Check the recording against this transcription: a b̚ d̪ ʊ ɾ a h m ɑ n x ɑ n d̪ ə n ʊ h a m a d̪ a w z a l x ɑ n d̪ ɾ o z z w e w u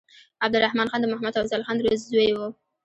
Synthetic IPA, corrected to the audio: a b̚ d̪ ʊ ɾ a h m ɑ n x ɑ n d̪ ə m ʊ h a m a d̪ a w z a l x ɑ n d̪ ɾ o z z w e w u

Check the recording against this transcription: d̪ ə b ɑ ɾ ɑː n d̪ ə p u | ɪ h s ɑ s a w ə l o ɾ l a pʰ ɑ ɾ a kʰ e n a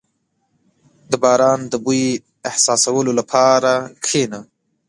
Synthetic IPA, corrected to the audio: d̪ ə b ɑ ɾ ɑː n d̪ ə b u | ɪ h s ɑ s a w ə l o l a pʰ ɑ ɾ a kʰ e n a

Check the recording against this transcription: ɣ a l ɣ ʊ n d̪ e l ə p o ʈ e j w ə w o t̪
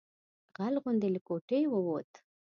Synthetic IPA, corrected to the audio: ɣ a l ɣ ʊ n d̪ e l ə k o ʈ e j w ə w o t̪

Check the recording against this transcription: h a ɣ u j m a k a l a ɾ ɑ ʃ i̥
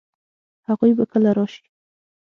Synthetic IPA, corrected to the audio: h a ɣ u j b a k ə l a ɾ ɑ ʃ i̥

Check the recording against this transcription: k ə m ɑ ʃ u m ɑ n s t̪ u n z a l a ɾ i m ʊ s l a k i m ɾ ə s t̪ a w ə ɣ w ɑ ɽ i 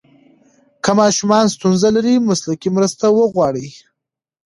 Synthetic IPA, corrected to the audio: k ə m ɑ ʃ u m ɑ n s t̪ u n z a l a ɾ i m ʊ s l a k i m ɾ ə s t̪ a w ə ɣ w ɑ ɽ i

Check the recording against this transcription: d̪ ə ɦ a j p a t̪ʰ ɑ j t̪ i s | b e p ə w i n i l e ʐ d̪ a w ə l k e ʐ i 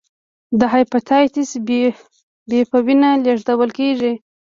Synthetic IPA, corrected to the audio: d̪ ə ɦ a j p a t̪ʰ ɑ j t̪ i s | b e p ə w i n a l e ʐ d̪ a w ə l k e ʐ i

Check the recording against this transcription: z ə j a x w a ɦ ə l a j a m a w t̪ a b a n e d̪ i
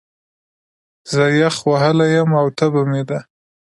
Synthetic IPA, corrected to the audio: z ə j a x w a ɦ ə l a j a m a w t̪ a b a m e d̪ a

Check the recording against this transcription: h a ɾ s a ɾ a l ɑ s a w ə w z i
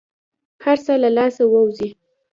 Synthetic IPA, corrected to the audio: h a ɾ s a l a l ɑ s a w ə w z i

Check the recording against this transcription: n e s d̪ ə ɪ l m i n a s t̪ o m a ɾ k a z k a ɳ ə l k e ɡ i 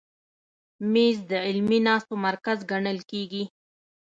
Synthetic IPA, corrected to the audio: m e z d̪ ə ɪ l m i n ɑ s t̪ o m a ɾ k a z ɡ a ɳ ə l k e ɡ i

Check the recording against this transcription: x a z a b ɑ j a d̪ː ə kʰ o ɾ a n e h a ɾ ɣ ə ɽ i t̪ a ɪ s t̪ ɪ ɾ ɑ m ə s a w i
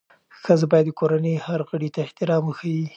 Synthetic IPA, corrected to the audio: x ə z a b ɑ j a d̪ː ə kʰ o ɾ a n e h a ɾ ɣ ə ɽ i t̪ a ɪ h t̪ ɪ ɾ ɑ m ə x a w i

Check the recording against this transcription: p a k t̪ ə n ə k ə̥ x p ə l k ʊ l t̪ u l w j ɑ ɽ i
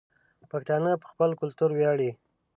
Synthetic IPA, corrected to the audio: p a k t̪ ɑ n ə p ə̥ x p ə l k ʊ l t̪ u ɾ w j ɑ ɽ i

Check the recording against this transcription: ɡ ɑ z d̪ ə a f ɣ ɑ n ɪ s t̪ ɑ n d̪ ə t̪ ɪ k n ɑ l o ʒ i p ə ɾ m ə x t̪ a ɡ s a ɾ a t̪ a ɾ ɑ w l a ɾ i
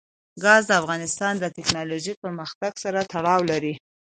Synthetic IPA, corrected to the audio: ɡ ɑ z d̪ ə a f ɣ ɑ n ɪ s t̪ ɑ n d̪ ə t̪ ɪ k n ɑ l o ʒ i p ə ɾ m ə x t̪ a ɡ s a ɾ a t̪ a ɽ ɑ w l a ɾ i

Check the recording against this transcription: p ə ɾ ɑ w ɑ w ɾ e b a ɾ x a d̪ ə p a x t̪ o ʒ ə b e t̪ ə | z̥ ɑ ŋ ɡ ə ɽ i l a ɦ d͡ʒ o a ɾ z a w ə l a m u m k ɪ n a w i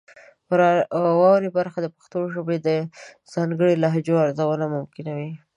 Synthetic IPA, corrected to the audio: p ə ɾ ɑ w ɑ w ɾ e b a ɾ x a d̪ ə p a x t̪ o ʒ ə b e d̪ ə | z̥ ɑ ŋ ɡ ə ɽ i l a ɦ d͡ʒ o a ɾ z a w ə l a m ʊ m k ɪ n a w i

